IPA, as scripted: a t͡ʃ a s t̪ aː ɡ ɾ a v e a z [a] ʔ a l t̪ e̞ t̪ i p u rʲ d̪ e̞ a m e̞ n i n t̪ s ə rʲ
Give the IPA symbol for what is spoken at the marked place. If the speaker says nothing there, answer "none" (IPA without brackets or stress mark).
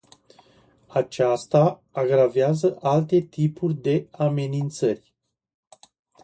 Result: ə